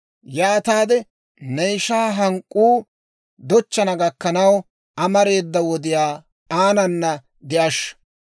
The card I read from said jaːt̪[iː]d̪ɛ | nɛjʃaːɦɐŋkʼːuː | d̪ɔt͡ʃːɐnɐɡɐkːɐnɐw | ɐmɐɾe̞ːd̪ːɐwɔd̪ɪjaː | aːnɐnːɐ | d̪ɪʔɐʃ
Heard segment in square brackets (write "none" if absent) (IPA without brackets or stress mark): aː